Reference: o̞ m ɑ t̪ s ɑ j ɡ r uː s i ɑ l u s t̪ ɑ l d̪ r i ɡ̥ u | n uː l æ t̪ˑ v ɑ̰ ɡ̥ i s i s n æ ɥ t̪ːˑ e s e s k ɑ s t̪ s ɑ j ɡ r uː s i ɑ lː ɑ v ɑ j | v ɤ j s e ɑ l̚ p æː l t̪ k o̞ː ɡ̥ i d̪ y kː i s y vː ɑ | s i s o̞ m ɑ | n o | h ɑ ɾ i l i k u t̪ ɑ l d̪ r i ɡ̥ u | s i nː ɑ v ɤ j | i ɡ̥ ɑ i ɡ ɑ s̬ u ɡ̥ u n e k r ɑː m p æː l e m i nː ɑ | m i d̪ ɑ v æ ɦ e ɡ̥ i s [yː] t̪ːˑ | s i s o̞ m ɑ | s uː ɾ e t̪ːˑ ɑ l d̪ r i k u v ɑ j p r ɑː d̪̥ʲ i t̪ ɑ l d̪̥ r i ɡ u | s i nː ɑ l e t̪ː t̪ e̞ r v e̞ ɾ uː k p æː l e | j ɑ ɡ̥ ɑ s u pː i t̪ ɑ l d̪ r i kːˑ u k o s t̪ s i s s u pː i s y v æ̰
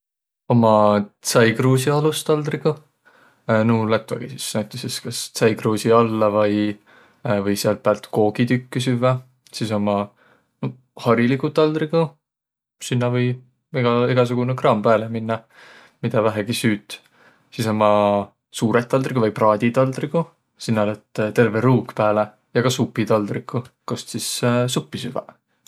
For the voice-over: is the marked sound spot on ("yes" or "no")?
yes